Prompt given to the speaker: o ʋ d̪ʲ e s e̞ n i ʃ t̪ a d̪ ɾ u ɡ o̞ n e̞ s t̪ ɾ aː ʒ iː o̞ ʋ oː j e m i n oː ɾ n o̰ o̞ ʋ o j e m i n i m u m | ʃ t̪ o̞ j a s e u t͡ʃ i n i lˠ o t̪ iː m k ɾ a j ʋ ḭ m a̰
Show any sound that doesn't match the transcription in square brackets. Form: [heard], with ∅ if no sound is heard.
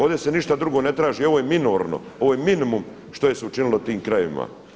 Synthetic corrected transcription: o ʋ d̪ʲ e s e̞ n i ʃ t̪ a d̪ ɾ u ɡ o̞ n e̞ [∅] t̪ ɾ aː ʒ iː o̞ ʋ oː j e m i n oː ɾ n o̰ o̞ ʋ o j e m i n i m u m | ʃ t̪ o̞ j [e] s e u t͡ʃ i n i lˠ o t̪ iː m k ɾ a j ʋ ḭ m a̰